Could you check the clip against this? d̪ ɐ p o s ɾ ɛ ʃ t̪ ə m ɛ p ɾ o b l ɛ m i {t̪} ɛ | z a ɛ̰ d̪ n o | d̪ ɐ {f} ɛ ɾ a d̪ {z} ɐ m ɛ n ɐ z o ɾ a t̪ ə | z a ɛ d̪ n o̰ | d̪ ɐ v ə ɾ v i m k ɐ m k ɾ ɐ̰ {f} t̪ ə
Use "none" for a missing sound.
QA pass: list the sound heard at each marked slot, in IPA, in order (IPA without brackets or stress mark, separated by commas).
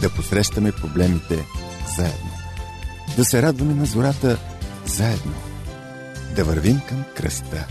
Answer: t̪, s, v, s